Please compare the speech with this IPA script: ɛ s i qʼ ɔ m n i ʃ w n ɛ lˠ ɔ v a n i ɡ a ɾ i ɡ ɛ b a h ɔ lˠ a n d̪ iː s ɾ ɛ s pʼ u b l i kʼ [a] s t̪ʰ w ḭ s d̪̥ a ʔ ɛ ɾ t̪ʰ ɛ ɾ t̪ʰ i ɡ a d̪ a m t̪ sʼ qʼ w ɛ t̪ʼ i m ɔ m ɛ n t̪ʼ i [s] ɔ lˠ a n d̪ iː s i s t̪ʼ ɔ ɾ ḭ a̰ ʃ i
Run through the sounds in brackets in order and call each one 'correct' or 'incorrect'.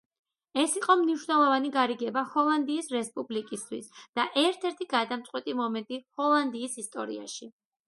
incorrect: i, incorrect: h

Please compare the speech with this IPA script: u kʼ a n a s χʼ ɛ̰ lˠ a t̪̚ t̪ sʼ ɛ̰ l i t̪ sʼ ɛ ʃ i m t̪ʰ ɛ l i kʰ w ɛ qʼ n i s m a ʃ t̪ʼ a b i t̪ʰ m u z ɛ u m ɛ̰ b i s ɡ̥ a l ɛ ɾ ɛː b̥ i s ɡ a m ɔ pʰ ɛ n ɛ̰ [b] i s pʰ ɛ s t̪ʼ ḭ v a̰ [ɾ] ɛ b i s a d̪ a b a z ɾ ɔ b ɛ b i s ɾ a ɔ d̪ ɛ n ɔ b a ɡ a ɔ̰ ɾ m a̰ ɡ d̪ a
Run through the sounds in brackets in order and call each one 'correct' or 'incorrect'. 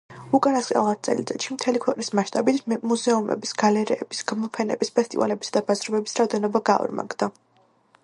correct, incorrect: l

